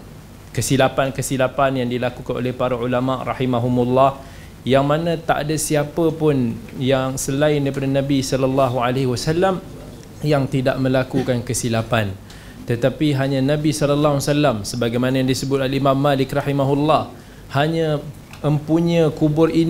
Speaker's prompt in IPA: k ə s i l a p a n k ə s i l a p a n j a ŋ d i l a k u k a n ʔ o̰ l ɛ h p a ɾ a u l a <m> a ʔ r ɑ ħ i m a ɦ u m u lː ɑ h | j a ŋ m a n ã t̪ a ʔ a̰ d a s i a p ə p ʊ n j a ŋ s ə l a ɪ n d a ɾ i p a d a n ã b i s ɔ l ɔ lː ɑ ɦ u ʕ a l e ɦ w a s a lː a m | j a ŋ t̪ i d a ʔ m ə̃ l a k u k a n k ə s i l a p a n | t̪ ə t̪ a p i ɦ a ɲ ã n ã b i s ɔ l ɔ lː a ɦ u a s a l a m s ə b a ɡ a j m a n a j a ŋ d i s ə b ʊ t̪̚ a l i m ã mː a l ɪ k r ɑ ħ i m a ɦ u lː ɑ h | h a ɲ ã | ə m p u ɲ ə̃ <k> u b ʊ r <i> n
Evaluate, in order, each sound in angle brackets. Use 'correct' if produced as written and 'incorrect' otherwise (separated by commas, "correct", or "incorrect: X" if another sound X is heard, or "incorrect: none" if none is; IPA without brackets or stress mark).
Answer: correct, correct, correct